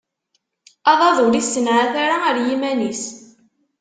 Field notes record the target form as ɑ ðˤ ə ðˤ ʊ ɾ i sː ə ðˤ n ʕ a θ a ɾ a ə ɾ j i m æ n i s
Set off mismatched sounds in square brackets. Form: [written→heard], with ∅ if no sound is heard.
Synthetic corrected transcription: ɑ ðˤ [ə→ɑ] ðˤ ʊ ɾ i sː ə [ðˤ→∅] n ʕ a θ a ɾ a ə ɾ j i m æ n i s